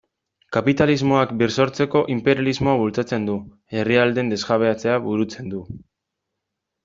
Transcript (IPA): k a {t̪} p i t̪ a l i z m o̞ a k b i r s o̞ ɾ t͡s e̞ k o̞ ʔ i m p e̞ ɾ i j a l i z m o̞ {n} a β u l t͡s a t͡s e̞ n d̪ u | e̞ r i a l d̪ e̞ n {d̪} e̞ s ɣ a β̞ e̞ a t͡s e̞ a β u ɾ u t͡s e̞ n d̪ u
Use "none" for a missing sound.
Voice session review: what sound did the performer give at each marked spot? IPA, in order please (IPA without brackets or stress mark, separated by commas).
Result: none, none, d̪